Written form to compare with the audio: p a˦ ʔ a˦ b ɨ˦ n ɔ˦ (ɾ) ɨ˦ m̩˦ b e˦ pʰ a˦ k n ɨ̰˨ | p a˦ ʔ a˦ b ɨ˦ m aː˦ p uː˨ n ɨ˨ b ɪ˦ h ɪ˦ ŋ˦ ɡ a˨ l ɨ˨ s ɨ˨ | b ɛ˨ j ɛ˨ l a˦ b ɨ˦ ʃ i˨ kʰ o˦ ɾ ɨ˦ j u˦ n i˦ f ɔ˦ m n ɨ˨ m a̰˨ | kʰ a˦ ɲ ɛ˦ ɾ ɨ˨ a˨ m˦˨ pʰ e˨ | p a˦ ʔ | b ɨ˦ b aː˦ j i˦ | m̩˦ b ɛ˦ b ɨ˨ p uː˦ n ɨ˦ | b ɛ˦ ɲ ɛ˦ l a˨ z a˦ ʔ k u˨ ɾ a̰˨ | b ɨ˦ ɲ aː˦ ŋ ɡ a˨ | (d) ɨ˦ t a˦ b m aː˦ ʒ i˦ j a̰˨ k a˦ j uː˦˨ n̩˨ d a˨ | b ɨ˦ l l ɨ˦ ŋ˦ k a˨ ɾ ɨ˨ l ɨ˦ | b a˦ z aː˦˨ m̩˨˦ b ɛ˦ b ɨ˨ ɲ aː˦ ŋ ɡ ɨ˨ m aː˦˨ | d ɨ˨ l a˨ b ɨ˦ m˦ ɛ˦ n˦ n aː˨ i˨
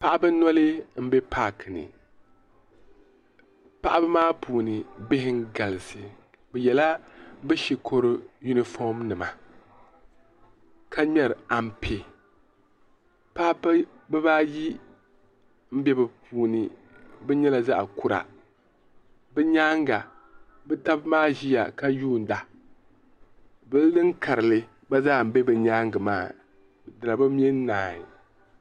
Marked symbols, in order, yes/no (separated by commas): no, no